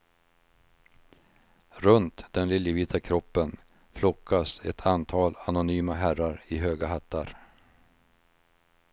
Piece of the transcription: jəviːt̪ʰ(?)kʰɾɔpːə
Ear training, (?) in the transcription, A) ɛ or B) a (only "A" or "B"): B